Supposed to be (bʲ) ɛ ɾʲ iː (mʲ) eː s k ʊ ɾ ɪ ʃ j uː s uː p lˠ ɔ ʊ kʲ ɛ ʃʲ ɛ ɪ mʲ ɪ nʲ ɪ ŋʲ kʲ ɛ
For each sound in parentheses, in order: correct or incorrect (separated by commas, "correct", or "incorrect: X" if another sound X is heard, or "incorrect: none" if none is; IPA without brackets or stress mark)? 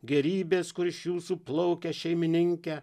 incorrect: ɡʲ, incorrect: bʲ